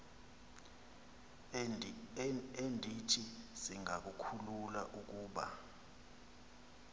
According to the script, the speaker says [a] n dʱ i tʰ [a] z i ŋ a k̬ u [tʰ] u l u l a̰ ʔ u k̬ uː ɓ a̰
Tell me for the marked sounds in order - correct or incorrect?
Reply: incorrect, incorrect, incorrect

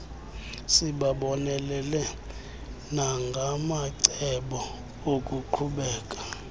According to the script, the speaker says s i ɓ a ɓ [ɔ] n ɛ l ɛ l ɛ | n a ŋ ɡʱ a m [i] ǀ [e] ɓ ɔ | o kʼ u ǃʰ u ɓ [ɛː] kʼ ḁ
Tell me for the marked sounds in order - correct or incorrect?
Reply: correct, incorrect, incorrect, correct

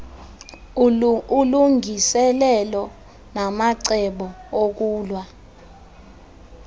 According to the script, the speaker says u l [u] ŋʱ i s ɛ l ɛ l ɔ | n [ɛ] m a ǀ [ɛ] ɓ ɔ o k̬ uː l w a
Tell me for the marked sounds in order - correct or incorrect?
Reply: correct, incorrect, correct

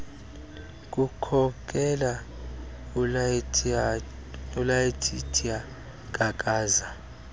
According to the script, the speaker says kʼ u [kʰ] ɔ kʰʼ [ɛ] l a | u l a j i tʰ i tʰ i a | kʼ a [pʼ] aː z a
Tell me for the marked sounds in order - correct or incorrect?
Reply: correct, correct, incorrect

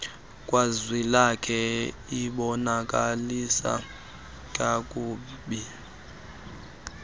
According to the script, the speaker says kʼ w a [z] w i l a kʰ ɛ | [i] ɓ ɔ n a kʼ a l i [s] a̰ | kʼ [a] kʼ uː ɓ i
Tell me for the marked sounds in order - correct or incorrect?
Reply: correct, correct, correct, correct

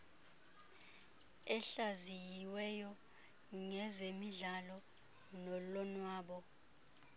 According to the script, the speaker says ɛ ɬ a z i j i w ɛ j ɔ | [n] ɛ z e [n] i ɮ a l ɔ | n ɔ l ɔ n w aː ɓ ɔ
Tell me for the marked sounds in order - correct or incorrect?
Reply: incorrect, incorrect

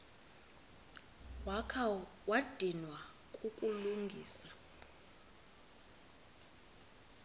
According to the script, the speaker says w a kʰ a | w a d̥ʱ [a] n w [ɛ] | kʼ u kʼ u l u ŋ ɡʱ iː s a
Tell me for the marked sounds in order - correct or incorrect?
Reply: incorrect, incorrect

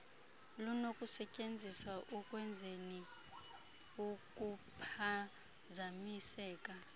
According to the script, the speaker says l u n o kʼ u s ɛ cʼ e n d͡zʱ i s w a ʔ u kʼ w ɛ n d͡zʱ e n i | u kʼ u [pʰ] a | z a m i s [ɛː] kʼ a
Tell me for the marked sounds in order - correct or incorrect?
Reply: correct, correct

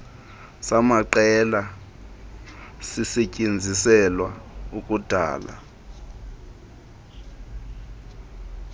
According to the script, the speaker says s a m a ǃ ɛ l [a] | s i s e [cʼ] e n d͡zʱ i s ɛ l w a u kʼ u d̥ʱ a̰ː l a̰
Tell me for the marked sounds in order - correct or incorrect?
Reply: correct, correct

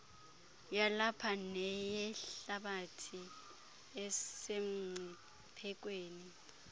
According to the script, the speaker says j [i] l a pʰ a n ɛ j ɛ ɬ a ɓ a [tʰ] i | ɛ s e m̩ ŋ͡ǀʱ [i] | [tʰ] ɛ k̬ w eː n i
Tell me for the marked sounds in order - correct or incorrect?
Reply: incorrect, correct, correct, incorrect

